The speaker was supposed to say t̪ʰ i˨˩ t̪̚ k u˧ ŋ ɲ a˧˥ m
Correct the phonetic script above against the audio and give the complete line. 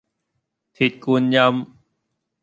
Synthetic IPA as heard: t̪ʰ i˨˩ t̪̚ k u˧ n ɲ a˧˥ m